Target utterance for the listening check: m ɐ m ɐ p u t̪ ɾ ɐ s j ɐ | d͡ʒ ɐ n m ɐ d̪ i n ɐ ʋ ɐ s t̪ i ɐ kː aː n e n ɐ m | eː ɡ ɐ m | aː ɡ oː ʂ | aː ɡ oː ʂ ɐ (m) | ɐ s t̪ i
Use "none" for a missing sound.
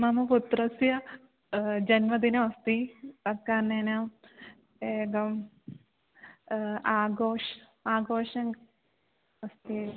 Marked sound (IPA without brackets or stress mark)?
ŋ